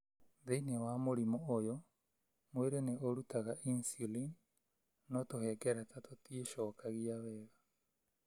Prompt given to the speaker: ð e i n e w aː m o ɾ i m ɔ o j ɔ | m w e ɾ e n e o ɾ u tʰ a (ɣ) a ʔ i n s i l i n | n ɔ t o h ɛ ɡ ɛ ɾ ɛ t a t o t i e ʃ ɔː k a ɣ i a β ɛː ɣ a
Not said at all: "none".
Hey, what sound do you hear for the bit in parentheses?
ɣ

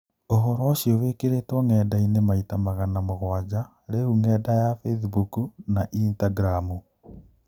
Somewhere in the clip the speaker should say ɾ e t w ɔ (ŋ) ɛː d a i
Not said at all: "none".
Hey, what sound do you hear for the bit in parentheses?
ŋ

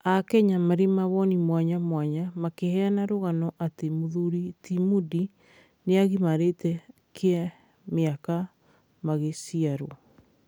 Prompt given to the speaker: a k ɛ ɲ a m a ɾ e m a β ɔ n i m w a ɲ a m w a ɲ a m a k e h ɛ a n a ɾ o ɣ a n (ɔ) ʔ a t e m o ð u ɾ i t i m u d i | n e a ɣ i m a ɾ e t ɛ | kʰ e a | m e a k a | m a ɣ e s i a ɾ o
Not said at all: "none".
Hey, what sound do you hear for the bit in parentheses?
ɔ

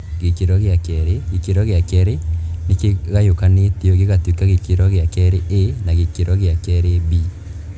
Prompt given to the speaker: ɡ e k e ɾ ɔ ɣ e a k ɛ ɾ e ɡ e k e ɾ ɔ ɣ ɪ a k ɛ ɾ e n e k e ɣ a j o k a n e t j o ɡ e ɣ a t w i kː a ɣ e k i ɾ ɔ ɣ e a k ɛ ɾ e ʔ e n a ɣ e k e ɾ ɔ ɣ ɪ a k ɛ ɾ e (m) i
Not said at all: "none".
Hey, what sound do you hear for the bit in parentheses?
b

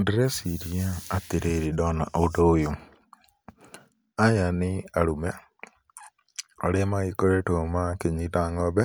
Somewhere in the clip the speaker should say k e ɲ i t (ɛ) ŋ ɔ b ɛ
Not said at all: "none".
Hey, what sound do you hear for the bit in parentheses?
a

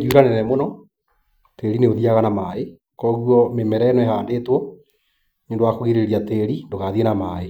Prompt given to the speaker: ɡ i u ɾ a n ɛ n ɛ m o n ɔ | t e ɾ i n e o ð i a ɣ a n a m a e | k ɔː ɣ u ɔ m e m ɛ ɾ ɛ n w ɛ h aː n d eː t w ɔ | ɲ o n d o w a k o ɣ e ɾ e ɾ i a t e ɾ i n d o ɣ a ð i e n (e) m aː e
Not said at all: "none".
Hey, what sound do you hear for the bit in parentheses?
a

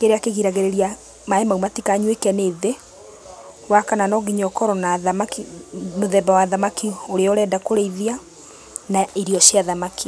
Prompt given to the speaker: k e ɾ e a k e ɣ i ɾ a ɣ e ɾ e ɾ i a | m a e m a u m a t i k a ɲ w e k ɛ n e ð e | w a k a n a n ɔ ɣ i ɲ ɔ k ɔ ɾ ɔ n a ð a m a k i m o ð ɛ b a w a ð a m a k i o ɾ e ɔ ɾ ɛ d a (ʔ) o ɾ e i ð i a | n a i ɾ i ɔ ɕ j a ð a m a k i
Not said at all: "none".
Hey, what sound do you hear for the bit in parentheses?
k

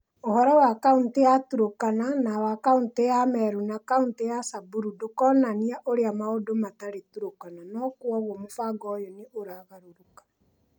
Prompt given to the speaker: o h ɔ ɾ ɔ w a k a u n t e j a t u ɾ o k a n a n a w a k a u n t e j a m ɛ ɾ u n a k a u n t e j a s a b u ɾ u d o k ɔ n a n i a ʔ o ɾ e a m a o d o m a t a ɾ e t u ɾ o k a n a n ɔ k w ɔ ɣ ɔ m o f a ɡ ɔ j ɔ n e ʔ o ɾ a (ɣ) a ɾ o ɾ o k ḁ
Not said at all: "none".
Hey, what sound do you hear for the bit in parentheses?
ɣ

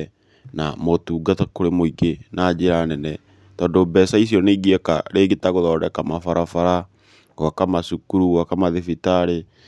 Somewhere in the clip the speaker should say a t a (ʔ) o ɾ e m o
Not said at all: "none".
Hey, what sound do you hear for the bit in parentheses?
k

